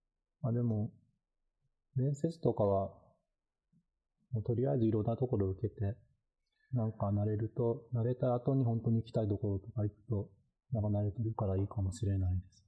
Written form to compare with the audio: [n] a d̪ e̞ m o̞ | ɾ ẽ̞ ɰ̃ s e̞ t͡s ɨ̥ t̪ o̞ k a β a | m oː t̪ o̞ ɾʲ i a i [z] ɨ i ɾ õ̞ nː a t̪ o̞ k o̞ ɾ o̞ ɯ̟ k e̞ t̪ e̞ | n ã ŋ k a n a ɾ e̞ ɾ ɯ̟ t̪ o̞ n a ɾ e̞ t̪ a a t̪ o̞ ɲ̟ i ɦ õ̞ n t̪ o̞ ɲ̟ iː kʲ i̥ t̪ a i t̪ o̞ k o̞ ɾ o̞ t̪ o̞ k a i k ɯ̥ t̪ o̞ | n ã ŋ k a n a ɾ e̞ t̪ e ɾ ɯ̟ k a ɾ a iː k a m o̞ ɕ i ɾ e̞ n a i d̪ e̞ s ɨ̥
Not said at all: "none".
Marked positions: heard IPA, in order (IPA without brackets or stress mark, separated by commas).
m, z